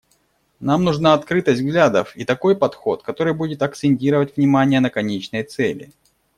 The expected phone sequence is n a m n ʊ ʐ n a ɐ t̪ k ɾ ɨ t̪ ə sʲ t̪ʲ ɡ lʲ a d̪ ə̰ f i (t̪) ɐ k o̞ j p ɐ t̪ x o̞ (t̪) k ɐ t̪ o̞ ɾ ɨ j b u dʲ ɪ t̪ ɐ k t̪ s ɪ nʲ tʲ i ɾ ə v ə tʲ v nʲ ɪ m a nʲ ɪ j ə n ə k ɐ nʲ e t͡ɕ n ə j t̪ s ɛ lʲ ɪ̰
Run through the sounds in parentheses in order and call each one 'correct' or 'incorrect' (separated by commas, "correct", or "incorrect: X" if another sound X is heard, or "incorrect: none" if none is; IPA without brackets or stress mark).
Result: correct, correct